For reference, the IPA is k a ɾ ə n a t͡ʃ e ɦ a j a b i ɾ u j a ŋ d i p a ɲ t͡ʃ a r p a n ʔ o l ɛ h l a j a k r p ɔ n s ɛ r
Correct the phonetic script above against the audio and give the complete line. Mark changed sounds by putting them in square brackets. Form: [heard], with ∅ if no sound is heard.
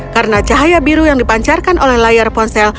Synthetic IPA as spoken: k a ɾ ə n a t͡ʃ [a] ɦ a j a b i ɾ u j a ŋ d i p a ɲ t͡ʃ a r [k] a n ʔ o l ɛ h l a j a [∅] r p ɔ n s ɛ [l]

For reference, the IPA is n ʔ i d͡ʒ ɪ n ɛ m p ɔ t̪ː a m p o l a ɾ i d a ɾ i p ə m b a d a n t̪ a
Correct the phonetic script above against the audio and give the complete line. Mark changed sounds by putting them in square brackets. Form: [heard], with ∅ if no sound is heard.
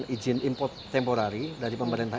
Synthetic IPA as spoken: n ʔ i d͡ʒ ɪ n [i] m p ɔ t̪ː [ɛ] m p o [ɾ] a ɾ i d a ɾ i p ə m b a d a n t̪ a

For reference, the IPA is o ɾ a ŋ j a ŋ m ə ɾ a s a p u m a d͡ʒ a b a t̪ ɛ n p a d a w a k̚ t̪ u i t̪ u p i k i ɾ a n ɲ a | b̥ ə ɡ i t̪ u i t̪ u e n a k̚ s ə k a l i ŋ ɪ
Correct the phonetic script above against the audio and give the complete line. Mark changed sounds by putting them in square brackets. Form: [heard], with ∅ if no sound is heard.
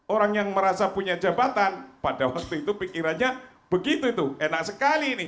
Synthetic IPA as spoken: o ɾ a ŋ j a ŋ m ə ɾ a s a p u [ɲ] a d͡ʒ a b a t̪ [a] n p a d a w a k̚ t̪ u i t̪ u p i k i ɾ a n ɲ a | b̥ ə ɡ i t̪ u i t̪ u e n a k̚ s ə k a l i [n] ɪ

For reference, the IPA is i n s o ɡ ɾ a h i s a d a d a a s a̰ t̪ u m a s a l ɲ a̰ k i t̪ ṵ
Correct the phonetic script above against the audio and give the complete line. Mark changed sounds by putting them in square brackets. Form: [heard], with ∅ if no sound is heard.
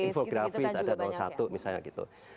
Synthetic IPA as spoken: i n [f] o ɡ ɾ a [f] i s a d a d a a s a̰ t̪ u m [i] s a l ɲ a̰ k i t̪ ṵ

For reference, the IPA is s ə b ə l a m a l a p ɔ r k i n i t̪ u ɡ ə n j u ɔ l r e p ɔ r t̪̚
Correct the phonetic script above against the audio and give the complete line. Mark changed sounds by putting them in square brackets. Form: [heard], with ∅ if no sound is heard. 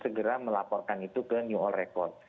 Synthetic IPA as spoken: s ə [ɡ] ə [ɾ] a m [ə] l a p ɔ r k [a] n i t̪ u [k] ə n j u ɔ l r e [k] ɔ r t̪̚

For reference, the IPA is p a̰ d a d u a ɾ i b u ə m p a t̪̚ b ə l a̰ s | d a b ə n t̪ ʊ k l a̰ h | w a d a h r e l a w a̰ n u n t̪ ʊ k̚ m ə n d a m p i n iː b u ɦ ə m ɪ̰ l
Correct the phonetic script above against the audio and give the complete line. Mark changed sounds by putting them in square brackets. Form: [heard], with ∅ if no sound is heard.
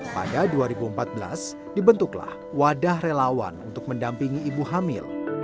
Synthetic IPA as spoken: p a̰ d a d u a ɾ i b u ə m p a t̪̚ b ə l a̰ s | d [i] b ə n t̪ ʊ k l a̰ h | w a d a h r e l a w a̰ n u n t̪ ʊ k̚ m ə n d a m p i [ŋ] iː b u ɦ [a] m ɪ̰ l

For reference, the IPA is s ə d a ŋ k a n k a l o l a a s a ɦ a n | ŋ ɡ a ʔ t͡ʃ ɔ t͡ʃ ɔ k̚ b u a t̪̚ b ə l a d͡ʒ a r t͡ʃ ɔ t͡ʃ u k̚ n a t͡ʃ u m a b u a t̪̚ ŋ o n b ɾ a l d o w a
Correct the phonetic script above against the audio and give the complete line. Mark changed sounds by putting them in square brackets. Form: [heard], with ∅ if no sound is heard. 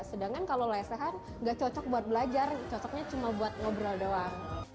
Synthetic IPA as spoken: s ə d a ŋ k a n k a l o l a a s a ɦ a n | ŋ ɡ a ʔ t͡ʃ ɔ t͡ʃ ɔ k̚ b u a t̪̚ b ə l a d͡ʒ a r t͡ʃ ɔ t͡ʃ [ɔ] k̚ [ɲ] a t͡ʃ u m a b u a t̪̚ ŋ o [∅] b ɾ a l d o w a

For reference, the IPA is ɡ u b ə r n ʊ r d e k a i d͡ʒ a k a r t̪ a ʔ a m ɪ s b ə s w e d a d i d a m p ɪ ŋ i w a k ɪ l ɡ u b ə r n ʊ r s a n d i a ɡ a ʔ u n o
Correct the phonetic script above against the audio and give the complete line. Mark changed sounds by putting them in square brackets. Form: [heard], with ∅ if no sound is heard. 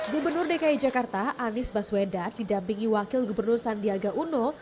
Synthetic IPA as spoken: ɡ u b ə r n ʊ r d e k a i d͡ʒ a k a r t̪ a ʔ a [n] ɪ s b [a] s w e d a d i d a m p [i] ŋ i w a k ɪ l ɡ u b ə r n ʊ r s a n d i a ɡ a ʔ u n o

